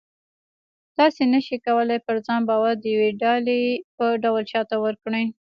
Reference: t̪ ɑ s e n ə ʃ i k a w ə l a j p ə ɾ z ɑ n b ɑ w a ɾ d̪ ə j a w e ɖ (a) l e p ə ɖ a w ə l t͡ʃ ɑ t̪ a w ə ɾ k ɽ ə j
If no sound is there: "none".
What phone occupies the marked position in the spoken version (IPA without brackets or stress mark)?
ɑ